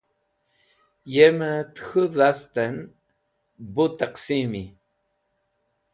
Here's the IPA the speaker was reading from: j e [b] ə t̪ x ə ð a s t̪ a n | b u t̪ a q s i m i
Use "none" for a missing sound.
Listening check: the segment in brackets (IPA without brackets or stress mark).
m